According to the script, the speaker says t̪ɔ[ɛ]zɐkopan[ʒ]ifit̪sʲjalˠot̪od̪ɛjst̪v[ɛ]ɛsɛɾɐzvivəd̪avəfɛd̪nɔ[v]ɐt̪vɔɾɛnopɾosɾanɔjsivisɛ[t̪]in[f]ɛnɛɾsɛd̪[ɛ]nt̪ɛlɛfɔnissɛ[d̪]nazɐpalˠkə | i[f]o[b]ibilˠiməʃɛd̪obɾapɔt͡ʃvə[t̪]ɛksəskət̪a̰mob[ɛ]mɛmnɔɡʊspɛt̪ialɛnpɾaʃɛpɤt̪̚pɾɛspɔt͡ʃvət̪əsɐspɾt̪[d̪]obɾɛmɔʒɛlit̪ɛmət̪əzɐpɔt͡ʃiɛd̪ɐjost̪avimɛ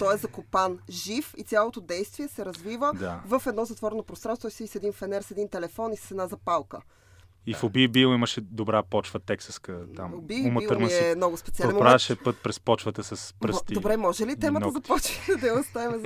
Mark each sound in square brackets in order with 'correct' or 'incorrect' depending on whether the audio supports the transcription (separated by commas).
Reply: correct, correct, incorrect, incorrect, incorrect, correct, incorrect, correct, correct, correct, correct, incorrect, correct